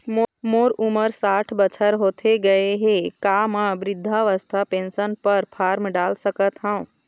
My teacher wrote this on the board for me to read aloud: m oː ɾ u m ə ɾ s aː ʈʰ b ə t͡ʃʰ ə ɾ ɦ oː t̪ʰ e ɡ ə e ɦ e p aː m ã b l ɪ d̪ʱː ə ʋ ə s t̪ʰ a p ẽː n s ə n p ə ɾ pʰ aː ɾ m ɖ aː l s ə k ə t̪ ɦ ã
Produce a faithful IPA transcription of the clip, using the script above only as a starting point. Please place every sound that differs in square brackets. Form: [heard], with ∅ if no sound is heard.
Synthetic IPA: m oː ɾ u m ə ɾ s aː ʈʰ b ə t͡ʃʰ ə ɾ ɦ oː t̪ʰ e ɡ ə e ɦ e [k] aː m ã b [ɾ] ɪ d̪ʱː [a] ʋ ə s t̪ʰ a p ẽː n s ə n p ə ɾ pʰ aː ɾ m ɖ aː l s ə k ə t̪ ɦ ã